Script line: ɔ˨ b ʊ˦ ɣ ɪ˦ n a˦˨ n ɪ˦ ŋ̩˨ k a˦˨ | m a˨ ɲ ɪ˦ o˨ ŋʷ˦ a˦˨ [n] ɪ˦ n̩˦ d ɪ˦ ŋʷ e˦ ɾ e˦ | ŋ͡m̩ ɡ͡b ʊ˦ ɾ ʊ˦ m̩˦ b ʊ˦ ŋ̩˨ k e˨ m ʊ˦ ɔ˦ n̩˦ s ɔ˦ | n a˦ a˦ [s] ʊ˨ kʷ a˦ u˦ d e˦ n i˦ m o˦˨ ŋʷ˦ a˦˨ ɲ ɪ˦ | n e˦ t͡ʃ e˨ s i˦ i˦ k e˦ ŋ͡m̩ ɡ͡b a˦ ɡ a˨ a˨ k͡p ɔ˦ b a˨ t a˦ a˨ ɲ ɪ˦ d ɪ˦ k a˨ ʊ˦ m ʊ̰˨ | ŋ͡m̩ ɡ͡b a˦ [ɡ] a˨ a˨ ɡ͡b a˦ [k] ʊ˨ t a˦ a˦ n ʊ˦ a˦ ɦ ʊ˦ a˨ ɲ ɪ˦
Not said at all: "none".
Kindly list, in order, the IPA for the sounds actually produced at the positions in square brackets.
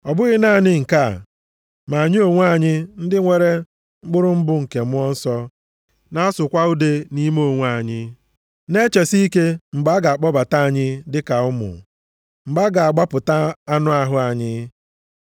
ɲ, s, ɡ, p

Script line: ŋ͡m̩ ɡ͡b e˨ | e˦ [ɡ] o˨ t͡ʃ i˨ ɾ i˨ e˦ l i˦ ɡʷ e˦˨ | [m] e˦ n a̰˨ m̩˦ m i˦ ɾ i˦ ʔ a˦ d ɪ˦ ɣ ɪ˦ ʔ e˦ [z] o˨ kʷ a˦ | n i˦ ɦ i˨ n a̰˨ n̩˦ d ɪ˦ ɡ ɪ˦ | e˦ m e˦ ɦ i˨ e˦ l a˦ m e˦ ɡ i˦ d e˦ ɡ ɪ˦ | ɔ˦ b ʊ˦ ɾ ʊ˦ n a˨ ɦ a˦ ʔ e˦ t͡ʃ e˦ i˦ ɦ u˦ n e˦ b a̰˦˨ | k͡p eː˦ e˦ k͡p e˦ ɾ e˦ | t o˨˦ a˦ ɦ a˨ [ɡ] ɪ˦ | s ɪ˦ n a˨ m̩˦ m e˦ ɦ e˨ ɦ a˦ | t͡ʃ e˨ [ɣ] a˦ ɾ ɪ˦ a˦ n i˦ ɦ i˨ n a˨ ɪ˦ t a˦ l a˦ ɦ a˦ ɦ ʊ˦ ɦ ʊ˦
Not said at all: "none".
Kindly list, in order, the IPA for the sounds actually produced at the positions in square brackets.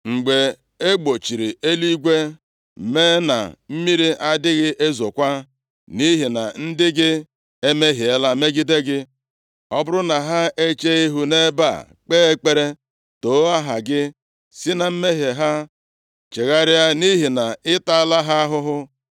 ɡ͡b, m, z, ɡ, ɣ

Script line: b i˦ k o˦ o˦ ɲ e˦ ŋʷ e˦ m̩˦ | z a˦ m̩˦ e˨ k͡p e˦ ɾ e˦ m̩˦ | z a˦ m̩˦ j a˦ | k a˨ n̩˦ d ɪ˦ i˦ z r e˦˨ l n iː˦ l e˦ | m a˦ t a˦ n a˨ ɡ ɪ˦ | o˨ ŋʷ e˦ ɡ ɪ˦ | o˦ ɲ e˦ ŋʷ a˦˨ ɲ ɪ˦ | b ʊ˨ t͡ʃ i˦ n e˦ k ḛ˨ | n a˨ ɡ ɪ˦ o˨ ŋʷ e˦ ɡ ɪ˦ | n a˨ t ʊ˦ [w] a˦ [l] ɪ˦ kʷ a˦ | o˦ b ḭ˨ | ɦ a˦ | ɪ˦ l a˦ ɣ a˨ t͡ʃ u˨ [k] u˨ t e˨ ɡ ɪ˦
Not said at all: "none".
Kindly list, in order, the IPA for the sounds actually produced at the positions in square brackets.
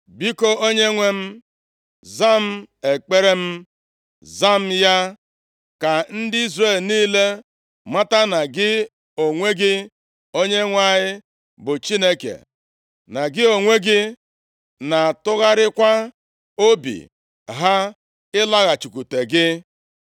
ɣ, ɾ, k

